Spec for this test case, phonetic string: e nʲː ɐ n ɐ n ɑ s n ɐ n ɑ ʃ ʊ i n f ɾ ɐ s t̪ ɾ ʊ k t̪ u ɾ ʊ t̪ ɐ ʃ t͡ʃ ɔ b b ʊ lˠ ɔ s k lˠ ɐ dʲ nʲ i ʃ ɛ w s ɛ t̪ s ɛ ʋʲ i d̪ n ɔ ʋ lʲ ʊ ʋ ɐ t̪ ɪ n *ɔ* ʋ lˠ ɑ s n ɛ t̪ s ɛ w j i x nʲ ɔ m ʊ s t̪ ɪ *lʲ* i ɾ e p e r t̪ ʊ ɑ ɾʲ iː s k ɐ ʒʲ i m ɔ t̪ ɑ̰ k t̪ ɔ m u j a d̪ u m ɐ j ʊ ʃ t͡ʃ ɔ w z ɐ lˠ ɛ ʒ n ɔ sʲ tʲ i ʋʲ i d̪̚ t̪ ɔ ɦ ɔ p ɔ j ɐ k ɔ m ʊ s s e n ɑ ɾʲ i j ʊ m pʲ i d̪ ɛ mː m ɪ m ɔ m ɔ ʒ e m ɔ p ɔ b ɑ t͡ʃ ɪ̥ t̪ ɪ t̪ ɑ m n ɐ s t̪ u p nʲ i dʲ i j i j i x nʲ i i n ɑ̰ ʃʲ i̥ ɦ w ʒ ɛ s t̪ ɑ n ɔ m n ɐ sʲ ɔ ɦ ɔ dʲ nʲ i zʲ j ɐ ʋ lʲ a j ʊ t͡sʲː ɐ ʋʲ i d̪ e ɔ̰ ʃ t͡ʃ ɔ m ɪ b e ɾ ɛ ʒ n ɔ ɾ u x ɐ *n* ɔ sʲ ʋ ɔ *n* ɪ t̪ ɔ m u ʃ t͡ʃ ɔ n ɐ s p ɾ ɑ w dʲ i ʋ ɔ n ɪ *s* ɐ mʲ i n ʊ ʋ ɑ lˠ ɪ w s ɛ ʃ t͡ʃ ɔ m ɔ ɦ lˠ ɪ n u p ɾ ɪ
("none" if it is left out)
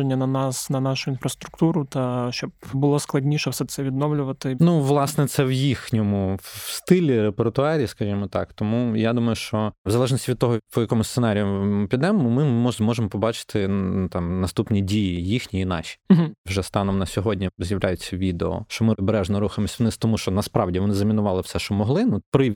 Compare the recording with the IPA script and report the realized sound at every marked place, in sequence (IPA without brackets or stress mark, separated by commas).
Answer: u, lʲ, m, n, z